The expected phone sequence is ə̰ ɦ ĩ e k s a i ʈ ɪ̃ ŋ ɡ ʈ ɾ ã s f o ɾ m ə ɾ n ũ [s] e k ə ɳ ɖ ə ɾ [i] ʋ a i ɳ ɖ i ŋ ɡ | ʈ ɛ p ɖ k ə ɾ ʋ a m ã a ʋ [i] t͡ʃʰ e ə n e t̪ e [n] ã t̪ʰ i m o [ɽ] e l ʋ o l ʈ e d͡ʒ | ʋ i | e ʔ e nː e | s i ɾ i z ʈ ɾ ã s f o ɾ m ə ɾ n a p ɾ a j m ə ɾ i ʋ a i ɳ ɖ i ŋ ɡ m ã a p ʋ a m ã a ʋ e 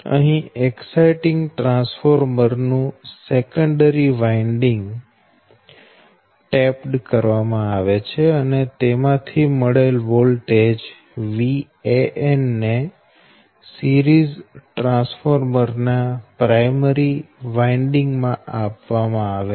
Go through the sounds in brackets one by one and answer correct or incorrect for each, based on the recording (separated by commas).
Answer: correct, correct, incorrect, incorrect, correct